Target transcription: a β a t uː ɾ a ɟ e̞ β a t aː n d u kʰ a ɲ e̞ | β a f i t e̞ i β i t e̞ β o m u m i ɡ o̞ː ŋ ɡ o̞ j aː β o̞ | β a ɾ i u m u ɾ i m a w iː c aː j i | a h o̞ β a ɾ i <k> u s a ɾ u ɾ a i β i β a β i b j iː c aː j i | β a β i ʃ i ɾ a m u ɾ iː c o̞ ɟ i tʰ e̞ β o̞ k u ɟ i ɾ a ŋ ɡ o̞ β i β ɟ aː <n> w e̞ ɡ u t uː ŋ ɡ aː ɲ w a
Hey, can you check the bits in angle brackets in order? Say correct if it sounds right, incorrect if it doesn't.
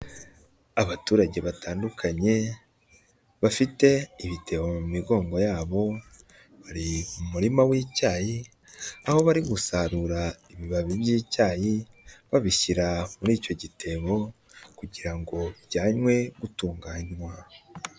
incorrect, incorrect

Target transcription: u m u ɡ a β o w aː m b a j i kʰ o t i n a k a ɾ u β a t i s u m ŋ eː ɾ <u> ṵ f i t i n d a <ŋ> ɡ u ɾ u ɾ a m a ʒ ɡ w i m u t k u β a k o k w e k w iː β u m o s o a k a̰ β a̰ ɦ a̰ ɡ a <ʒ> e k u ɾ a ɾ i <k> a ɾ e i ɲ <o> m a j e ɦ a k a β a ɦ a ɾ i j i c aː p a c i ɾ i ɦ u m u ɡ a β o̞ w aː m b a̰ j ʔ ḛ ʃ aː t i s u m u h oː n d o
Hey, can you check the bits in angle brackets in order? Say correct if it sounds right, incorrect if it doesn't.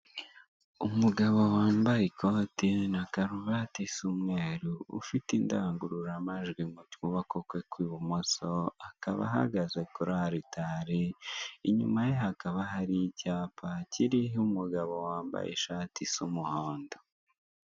correct, correct, incorrect, incorrect, incorrect

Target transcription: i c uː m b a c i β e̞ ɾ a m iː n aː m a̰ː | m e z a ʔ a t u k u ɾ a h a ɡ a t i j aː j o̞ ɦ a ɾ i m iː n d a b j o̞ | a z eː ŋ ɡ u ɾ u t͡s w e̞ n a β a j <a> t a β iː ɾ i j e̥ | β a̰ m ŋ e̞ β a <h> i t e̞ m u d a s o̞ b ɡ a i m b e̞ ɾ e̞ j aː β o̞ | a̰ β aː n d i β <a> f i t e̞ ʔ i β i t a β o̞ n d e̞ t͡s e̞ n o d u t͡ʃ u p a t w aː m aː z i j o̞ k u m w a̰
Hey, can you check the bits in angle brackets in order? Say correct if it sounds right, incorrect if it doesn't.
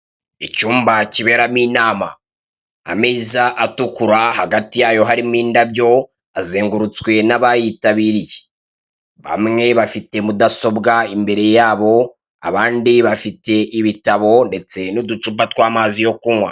incorrect, incorrect, correct

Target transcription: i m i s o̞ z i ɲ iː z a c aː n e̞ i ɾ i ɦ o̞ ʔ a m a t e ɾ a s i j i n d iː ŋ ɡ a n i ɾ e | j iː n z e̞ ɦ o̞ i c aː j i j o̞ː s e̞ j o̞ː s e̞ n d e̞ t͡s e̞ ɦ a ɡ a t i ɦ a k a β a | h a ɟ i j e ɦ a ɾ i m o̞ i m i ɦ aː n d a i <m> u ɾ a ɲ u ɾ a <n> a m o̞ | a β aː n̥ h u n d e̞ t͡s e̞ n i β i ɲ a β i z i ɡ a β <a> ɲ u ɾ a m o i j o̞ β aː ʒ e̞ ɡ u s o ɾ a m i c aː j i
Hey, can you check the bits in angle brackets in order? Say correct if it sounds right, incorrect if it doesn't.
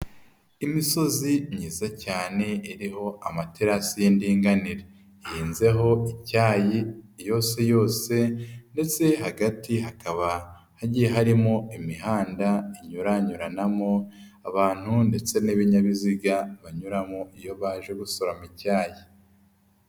incorrect, correct, correct

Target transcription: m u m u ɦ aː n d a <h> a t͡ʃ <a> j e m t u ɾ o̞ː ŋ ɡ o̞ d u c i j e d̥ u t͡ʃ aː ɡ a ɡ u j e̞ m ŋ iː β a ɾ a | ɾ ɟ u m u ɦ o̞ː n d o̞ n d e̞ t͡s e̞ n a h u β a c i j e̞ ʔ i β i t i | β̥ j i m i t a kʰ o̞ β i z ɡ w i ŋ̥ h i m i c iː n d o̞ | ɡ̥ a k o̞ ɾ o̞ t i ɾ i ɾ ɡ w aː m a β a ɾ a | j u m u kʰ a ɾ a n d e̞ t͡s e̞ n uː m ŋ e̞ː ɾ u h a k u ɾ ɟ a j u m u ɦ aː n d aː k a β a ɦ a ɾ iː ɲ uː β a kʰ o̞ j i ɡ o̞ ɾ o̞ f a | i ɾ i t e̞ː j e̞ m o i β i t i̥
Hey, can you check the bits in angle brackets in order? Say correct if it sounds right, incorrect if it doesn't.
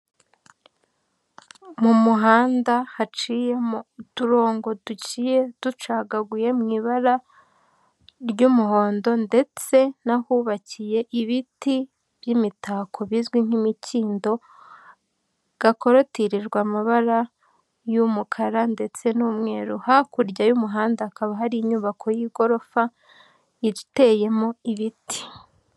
correct, incorrect

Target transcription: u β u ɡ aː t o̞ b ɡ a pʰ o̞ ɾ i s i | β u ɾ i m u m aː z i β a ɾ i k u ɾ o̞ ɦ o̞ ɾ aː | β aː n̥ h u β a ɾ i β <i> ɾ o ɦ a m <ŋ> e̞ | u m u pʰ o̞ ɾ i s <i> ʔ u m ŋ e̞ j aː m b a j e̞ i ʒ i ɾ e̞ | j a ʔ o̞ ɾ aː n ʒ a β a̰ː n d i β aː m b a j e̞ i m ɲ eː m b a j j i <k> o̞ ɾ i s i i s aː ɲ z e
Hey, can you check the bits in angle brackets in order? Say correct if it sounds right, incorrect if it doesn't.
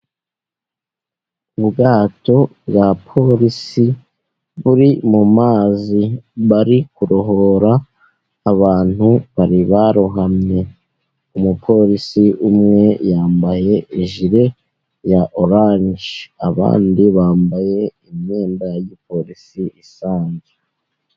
incorrect, incorrect, correct, incorrect

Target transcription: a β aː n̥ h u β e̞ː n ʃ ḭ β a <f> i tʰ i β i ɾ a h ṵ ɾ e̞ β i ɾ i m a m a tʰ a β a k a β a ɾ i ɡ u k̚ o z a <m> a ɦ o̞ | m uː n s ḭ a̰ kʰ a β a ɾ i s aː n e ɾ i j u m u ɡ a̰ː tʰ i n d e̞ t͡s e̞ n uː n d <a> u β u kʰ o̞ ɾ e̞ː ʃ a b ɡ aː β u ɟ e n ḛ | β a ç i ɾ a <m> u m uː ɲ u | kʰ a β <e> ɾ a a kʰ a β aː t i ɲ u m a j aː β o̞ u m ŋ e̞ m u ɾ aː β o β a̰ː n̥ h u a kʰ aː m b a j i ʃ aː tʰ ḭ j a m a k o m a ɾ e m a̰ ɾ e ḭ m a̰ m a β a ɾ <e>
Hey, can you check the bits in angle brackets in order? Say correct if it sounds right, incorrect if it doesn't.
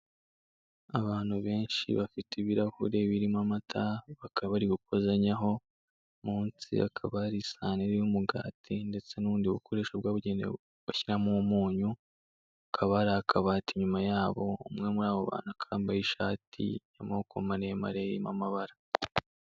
correct, incorrect, incorrect, correct, incorrect, incorrect

